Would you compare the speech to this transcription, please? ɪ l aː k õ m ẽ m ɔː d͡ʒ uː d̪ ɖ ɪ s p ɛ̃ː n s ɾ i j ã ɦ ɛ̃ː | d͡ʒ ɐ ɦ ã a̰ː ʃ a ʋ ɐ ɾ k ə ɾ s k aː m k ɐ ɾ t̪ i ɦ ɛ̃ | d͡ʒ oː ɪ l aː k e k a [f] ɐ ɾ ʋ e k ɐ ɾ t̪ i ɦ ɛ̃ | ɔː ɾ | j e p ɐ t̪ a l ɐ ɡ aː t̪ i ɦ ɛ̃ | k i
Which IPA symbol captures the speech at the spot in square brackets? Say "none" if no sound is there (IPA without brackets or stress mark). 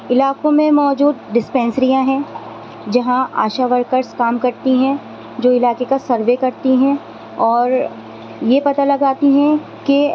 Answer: s